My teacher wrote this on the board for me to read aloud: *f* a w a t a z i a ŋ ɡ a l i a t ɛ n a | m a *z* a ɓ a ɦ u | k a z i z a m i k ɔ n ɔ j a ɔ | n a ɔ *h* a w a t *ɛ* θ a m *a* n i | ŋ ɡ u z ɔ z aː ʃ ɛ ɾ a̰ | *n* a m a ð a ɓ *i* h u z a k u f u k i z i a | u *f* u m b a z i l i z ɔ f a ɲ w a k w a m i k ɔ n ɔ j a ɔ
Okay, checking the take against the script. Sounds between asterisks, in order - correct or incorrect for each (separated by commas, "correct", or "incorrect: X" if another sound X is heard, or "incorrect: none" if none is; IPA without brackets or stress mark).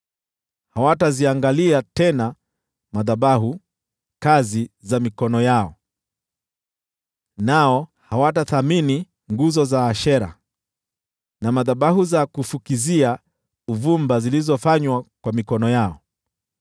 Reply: incorrect: h, incorrect: ð, correct, incorrect: a, incorrect: i, correct, incorrect: a, incorrect: v